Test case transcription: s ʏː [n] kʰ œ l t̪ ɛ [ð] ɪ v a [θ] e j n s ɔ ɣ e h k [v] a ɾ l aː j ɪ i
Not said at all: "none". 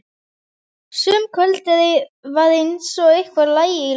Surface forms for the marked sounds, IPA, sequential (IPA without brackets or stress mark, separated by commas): m, ð, ð, v